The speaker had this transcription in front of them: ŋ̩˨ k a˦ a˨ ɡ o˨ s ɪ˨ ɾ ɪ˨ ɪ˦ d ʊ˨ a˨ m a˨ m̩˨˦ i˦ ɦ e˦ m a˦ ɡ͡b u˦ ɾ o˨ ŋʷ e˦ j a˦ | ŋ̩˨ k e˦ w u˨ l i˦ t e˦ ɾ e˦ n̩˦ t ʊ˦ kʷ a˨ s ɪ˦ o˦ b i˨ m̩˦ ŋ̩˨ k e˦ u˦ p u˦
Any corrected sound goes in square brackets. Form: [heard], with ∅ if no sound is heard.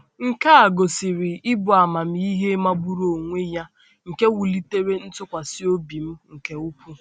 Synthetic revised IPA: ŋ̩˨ k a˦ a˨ ɡ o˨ s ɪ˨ ɾ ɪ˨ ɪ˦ [b] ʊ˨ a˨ m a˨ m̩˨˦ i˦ ɦ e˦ m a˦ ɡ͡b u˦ ɾ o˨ ŋʷ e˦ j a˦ | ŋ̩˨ k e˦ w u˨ l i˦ t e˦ ɾ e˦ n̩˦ t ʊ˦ kʷ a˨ s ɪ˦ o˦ b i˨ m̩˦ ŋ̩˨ k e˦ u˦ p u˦